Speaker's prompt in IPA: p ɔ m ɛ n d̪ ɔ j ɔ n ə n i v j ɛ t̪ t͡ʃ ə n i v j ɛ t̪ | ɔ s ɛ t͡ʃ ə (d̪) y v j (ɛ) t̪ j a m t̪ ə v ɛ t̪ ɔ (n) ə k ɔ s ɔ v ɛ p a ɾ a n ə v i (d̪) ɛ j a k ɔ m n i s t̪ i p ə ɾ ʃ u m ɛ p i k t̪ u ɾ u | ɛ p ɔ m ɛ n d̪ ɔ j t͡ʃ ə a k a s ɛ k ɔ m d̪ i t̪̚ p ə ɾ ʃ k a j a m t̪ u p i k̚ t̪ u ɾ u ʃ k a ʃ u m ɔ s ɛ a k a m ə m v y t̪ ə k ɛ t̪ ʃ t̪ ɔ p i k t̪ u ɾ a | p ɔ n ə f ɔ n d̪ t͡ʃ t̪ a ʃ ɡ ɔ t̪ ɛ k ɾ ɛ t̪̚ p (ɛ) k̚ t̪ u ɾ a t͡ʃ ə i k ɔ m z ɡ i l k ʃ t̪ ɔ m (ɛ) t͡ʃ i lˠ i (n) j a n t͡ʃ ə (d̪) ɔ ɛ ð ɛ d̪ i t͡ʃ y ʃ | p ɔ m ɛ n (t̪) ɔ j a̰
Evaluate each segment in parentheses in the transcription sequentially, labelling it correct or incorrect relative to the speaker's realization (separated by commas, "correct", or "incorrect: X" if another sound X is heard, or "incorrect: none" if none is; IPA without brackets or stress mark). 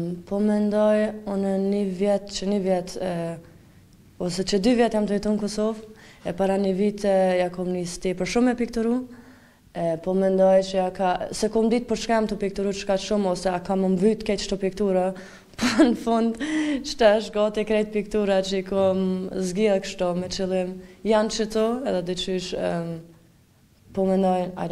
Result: correct, correct, correct, incorrect: t̪, incorrect: i, correct, incorrect: m, incorrect: t̪, incorrect: d̪